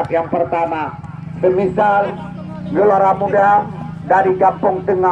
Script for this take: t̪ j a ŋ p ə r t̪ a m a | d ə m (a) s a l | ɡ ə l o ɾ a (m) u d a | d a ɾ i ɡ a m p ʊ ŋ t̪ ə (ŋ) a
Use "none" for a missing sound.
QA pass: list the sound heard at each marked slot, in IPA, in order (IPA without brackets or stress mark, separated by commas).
i, m, ŋ